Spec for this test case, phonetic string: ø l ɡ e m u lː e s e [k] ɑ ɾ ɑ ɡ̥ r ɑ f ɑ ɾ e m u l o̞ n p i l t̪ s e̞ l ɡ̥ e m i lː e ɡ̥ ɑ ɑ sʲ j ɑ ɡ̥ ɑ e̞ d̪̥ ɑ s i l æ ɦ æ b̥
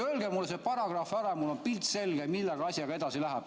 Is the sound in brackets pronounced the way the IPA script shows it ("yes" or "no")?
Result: no